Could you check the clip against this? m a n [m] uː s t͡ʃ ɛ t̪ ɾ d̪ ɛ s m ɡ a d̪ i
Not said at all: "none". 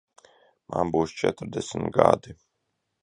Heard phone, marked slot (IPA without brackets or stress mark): b